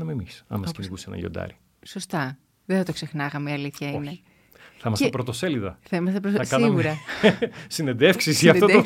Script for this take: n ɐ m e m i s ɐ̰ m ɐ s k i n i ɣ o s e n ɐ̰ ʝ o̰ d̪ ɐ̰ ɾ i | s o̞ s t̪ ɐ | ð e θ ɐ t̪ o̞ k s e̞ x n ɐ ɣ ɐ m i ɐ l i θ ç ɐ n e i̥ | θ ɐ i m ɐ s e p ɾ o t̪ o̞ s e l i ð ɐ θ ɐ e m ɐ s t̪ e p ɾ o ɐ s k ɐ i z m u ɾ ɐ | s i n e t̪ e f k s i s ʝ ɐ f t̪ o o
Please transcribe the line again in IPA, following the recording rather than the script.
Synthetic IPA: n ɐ m e m i s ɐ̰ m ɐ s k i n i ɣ u s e n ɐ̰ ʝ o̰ d̪ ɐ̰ ɾ i | s o̞ s t̪ ɐ | ð e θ ɐ t̪ o̞ k s e̞ x n ɐ ɣ ɐ m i ɐ l i θ ç ɐ n e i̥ | θ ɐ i m ɐ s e p ɾ o t̪ o̞ s e l i ð ɐ θ ɐ i m ɐ s t̪ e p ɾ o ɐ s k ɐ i ɣ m u ɾ ɐ | s i n e d̪ e f k s i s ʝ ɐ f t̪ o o